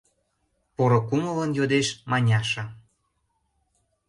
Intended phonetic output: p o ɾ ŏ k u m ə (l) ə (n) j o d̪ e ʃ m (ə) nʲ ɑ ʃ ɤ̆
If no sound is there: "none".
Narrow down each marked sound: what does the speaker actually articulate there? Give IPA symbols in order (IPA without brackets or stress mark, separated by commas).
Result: l, n, ɑ